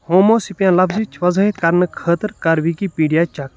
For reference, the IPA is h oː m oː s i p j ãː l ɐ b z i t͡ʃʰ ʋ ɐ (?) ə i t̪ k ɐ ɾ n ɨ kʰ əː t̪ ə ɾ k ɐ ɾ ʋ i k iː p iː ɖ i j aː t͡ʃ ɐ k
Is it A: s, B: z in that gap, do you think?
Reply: B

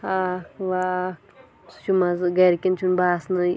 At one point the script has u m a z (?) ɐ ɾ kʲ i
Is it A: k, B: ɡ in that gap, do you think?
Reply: B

